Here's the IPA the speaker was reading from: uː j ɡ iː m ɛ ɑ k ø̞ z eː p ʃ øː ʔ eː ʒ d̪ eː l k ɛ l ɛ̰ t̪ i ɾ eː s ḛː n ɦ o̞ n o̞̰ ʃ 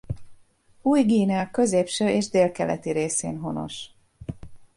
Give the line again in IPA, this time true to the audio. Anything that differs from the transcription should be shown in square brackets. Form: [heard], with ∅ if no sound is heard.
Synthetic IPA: uː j ɡ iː [n] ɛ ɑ k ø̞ z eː p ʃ øː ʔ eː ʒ d̪ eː l k ɛ l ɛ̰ t̪ i ɾ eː s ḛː n ɦ o̞ n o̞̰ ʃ